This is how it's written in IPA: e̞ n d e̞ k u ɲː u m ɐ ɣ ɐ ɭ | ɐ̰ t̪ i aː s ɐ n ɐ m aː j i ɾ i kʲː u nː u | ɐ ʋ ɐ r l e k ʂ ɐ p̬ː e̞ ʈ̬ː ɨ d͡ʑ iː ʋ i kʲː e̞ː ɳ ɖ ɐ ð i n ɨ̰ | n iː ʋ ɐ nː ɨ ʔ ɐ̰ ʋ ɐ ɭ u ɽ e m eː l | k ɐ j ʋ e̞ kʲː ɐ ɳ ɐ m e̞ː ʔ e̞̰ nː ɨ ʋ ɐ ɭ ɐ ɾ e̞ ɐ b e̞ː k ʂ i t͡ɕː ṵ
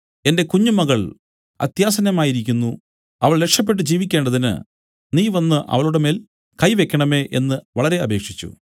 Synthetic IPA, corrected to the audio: e̞ n d e̞ k u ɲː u m ɐ ɣ ɐ ɭ | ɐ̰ t̪ j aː s ɐ n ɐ m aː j i ɾ i kʲː u nː u | ɐ ʋ ɐ ɭ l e k ʂ ɐ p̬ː e̞ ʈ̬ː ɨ d͡ʑ iː ʋ i kʲː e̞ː ɳ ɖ ɐ ð i n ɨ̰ | n iː ʋ ɐ nː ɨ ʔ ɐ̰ ʋ ɐ ɭ u ɽ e m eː l | k ɐ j ʋ e̞ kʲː ɐ ɳ ɐ m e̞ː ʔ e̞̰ nː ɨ ʋ ɐ ɭ ɐ ɾ e̞ ɐ b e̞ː k ʂ i t͡ɕː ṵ

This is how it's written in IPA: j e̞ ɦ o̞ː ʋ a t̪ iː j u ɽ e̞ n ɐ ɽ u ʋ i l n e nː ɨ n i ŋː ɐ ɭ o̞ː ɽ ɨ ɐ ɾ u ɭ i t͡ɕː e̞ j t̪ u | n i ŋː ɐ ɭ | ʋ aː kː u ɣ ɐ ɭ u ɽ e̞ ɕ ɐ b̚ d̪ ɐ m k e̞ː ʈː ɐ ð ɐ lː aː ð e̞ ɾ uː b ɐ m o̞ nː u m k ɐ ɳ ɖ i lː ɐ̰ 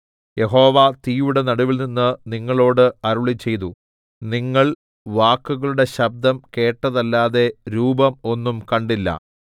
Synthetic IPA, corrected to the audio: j e̞ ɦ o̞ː ʋ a t̪ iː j u ɽ e̞ n ɐ ɽ u ʋ i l n i nː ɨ n i ŋː ɐ ɭ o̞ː ɽ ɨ ɐ ɾ u ɭ i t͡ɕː e̞ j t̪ u | n i ŋː ɐ ɭ | ʋ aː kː u ɣ ɐ ɭ u ɽ e̞ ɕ ɐ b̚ d̪ ɐ m k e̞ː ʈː ɐ ð ɐ lː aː ð e̞ ɾ uː b ɐ m o̞ nː u m k ɐ ɳ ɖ i lː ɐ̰

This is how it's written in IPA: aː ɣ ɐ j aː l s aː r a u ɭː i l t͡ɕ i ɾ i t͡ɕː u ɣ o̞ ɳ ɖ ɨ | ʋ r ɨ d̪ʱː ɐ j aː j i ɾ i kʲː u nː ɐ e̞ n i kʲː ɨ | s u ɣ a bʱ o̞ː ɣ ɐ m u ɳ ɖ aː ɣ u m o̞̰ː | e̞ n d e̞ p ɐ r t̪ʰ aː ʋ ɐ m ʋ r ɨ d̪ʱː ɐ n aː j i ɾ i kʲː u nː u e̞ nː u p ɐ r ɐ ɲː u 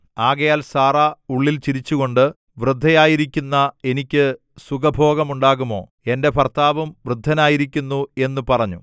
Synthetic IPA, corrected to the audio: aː ɣ ɐ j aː l s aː r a u ɭː i l t͡ɕ i ɾ i t͡ɕː u ɣ o̞ ɳ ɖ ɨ | ʋ r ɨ d̪ʱː ɐ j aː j i ɾ i kʲː u nː ɐ e̞ n i kʲː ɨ | s u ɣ ɐ bʱ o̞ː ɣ ɐ m u ɳ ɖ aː ɣ u m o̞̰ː | e̞ n d e̞ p ɐ r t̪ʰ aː ʋ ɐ m ʋ r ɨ d̪ʱː ɐ n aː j i ɾ i kʲː u nː u e̞ nː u p ɐ r ɐ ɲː u

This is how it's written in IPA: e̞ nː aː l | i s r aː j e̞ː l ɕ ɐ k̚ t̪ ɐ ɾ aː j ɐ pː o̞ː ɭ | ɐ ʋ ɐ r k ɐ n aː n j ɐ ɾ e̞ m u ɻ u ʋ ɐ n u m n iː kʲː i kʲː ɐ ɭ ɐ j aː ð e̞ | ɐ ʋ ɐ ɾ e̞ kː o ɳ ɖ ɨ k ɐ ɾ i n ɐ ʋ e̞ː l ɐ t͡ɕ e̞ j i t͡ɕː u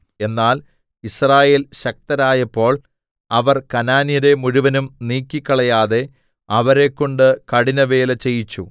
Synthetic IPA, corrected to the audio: e̞ nː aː l | i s r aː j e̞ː l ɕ ɐ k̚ t̪ ɐ ɾ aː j ɐ pː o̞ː ɭ | ɐ ʋ ɐ r k ɐ n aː n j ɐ ɾ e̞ m u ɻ u ʋ ɐ n u m n iː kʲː i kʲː ɐ ɭ ɐ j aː ð e̞ | ɐ ʋ ɐ ɾ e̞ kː o ɳ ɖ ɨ k ɐ ɽ i n ɐ ʋ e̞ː l ɐ t͡ɕ e̞ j i t͡ɕː u

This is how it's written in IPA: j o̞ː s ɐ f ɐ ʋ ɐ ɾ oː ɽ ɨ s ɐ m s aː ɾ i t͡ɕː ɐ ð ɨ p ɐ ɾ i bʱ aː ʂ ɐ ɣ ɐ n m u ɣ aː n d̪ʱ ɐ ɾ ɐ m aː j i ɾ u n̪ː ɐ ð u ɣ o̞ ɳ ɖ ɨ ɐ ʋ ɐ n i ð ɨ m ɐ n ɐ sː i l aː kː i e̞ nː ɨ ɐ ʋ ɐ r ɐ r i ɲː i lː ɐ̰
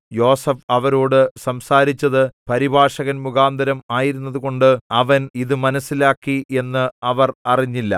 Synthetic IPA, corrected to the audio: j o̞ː s ɐ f ɐ ʋ ɐ ɾ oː ɽ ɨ s ɐ m s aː ɾ i t͡ɕː ɐ ð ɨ p ɐ ɾ i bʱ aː ʂ ɐ ɣ ɐ n m u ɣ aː n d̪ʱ ɐ ɾ ɐ m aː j i ɾ u n̪ː ɐ ð u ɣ o̞ ɳ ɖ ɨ ɐ ʋ ɐ n i ð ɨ m ɐ n ɐ sː i l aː kː i e̞ nː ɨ ɐ ʋ ɐ r ɐ r i ɲː i lː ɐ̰

